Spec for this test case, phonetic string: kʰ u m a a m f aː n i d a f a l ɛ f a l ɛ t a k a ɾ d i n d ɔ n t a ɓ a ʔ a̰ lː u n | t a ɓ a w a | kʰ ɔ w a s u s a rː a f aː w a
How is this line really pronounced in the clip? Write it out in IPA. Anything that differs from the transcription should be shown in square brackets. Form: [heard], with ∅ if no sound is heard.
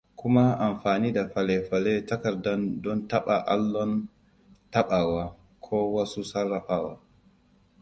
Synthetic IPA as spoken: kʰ u m a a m f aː n i d a f a l ɛ f a l ɛ t a k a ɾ d [a] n d ɔ n t a ɓ a ʔ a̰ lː [ɔ] n | t a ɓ a w a | kʰ ɔ w a s u s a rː a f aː w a